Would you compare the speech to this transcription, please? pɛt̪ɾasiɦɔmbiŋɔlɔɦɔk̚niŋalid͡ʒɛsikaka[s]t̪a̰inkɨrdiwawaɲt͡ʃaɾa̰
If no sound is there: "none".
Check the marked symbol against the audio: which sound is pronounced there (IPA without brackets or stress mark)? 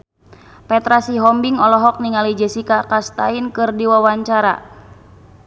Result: s